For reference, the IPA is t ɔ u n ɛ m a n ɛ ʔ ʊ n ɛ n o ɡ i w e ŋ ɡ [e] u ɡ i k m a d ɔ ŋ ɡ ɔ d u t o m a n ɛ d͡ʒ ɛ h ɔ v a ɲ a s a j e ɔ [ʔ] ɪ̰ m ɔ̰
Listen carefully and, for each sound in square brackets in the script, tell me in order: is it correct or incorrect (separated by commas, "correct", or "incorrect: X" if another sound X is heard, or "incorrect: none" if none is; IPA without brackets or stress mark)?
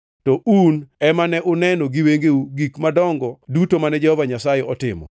correct, incorrect: t